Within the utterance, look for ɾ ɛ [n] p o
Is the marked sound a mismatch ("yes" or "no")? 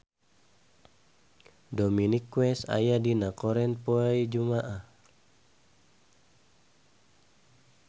no